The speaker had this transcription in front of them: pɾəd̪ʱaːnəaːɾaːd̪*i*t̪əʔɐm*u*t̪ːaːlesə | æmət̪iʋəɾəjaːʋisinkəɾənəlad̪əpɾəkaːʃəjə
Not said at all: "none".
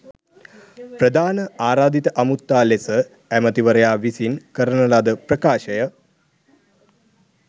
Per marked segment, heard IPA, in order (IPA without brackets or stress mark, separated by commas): i, u